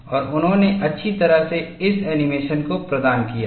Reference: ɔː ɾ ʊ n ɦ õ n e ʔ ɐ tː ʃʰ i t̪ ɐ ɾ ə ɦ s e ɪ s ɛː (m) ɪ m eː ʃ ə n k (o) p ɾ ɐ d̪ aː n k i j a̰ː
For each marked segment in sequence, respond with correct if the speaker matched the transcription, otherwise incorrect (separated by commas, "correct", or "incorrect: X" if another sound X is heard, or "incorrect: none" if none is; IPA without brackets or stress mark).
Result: incorrect: n, correct